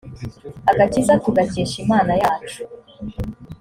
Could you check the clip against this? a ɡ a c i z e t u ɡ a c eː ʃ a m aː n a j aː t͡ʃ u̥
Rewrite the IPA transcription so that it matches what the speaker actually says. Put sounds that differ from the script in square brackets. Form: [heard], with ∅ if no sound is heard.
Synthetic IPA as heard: a ɡ a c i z [a] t u ɡ a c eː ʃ [i] m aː n a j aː t͡ʃ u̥